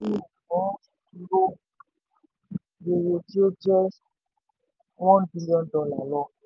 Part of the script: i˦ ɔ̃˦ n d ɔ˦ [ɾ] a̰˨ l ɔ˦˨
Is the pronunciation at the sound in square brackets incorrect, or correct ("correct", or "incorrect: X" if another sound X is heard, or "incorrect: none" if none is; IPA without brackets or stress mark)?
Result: incorrect: l